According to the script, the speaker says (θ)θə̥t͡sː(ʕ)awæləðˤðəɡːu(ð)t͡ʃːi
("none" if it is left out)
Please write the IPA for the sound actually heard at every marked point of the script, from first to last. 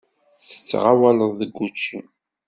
θ, ʁ, none

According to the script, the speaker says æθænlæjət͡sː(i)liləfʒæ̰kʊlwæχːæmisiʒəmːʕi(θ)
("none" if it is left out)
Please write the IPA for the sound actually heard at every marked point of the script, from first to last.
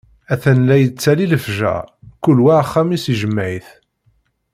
æ, θ

